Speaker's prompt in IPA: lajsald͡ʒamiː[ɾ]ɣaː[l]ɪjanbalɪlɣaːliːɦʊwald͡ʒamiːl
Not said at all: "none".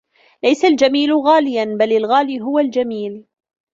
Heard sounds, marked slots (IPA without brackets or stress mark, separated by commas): l, l